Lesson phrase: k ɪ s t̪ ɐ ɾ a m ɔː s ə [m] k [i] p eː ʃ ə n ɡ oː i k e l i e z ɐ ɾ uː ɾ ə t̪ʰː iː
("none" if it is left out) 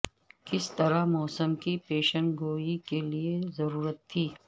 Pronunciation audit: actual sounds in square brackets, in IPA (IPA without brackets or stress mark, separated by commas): m, i